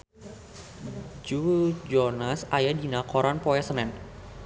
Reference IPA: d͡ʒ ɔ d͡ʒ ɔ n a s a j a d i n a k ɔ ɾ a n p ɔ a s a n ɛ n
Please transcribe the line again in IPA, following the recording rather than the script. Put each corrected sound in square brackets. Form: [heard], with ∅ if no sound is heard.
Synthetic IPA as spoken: d͡ʒ [u] d͡ʒ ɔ n a s a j a d i n a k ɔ ɾ a n p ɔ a s [ə] n ɛ n